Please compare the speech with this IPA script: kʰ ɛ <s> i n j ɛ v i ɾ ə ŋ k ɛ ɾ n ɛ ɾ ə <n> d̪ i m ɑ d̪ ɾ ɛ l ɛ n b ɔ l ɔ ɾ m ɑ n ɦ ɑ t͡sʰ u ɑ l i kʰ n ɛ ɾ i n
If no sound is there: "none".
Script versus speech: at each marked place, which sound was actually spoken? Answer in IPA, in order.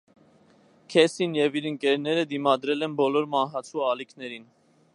s, none

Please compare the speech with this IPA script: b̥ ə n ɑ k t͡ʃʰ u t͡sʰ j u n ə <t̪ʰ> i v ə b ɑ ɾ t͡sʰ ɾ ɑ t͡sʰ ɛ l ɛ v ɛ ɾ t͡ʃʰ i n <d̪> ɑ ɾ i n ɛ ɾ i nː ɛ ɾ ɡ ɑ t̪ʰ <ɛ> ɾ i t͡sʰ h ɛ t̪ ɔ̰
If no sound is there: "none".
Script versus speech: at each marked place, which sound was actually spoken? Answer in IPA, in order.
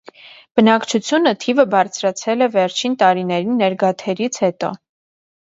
t̪ʰ, t̪, ɛ

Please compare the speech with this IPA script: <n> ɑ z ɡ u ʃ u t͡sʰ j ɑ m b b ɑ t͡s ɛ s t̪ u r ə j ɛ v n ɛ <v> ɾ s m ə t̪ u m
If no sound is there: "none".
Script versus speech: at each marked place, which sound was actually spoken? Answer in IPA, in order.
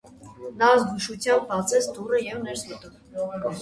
n, none

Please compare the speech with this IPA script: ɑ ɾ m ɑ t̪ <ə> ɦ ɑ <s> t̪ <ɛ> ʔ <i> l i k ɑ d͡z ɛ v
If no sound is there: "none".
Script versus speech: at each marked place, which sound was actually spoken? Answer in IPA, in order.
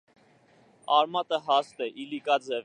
ə, s, ɛ, i

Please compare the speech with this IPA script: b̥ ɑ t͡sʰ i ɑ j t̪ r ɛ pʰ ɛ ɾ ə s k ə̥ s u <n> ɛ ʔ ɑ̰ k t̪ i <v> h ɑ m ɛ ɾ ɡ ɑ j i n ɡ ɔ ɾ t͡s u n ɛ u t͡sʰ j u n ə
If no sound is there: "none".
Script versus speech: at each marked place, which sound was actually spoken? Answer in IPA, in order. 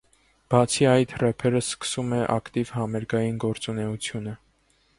m, v

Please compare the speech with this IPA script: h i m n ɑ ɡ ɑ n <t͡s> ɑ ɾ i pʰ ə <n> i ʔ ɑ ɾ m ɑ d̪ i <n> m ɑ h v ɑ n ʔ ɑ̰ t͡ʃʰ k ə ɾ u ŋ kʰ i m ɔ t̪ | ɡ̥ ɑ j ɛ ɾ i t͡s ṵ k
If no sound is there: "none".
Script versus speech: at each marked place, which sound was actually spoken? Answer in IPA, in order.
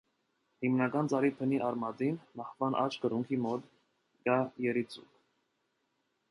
t͡s, n, n

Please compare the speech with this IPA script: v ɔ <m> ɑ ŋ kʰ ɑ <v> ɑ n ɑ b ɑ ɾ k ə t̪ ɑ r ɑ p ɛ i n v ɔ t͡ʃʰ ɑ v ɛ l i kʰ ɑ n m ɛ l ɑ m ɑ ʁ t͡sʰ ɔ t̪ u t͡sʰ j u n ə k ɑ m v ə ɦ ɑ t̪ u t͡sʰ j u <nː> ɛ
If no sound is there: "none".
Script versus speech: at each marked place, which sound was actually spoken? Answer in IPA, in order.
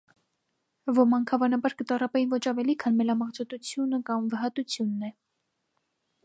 m, v, nː

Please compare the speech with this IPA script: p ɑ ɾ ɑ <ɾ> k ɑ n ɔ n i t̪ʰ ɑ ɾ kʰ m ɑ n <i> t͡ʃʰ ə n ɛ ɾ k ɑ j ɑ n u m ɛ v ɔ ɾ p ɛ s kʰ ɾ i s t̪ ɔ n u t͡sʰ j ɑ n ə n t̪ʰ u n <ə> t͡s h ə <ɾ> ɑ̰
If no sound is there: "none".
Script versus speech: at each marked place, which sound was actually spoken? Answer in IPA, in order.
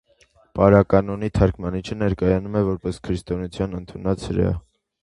none, i, ɑ, ɾ

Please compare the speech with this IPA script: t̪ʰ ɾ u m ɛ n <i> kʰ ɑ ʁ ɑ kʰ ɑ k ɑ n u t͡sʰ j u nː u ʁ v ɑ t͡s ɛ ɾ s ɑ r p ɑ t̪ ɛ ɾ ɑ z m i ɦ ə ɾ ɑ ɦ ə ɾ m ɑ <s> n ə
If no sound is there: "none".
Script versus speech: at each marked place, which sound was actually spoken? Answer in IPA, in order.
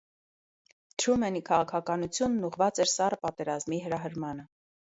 i, none

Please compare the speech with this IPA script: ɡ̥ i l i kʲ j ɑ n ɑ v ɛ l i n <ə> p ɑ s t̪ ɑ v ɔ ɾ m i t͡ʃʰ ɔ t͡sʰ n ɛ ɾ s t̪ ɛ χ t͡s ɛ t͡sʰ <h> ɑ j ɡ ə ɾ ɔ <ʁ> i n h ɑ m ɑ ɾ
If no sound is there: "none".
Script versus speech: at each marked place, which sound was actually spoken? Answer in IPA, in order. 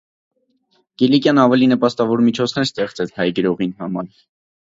ə, h, ʁ

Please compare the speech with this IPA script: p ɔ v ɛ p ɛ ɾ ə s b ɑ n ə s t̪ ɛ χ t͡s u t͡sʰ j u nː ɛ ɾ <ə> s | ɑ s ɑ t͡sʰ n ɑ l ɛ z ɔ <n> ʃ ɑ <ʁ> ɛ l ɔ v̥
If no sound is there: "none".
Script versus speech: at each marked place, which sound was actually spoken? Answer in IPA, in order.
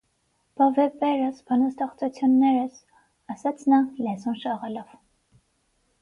ə, n, ʁ

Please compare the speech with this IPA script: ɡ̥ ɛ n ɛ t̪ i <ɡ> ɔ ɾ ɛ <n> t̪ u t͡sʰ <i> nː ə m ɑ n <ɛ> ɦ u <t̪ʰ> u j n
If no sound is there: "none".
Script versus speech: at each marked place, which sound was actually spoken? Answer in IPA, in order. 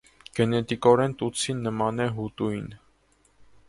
k, n, i, ɛ, t̪

